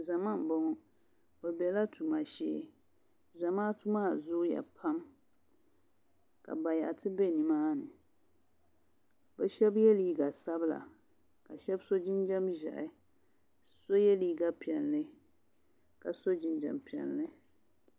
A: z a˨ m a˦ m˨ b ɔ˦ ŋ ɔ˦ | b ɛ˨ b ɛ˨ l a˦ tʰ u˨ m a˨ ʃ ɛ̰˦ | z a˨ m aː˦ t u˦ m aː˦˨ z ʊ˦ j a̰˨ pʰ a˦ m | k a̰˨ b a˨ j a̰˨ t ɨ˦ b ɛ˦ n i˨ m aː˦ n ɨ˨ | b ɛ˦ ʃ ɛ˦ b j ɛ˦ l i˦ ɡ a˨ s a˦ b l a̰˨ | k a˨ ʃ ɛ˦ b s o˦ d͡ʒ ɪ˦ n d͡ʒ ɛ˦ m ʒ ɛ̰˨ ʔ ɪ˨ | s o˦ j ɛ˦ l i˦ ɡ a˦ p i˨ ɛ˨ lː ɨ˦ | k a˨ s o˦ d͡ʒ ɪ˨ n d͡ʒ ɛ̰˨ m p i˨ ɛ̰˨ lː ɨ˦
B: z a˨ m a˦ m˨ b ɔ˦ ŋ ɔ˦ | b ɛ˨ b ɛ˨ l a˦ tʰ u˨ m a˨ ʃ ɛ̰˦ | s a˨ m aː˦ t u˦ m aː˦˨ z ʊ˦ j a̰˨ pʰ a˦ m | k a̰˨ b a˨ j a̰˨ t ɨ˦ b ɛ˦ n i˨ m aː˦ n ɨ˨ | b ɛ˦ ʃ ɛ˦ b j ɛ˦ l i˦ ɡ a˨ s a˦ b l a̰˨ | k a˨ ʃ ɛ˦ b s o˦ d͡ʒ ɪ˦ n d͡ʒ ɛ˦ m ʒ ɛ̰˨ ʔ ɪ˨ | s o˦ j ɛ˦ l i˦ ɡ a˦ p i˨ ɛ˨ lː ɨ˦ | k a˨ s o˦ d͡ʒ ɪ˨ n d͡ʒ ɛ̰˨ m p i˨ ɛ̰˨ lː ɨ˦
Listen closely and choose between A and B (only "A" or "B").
A